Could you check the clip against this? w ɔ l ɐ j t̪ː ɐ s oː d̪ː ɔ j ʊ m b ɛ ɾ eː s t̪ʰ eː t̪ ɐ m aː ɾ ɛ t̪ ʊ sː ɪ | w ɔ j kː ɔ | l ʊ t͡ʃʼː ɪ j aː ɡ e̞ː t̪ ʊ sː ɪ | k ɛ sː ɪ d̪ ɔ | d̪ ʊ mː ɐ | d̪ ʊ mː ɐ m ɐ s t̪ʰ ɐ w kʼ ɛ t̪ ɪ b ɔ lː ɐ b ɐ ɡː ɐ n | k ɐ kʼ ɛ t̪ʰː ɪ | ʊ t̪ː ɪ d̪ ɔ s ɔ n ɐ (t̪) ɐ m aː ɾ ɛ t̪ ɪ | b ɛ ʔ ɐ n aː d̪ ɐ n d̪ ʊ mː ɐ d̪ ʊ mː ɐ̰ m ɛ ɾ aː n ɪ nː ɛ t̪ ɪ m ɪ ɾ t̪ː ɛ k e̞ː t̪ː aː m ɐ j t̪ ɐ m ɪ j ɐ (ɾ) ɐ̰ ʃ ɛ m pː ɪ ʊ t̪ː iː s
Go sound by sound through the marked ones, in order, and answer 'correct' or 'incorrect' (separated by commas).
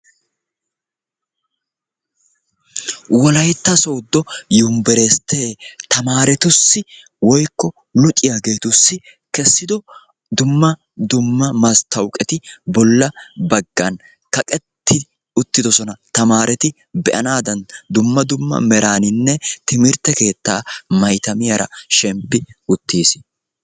correct, correct